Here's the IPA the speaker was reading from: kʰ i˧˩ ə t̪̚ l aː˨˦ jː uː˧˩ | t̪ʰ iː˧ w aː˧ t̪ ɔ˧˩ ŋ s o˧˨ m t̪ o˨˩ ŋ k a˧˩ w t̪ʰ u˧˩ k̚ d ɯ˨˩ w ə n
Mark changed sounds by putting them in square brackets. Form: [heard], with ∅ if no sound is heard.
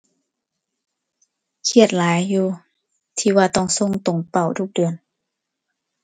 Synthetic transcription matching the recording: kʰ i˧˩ ə t̪̚ l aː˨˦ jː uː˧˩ | t̪ʰ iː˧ w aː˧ t̪ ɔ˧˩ ŋ s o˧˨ [ŋ] t̪ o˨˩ ŋ [p] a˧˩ w t̪ʰ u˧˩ k̚ d ɯ˨˩ [∅] ə n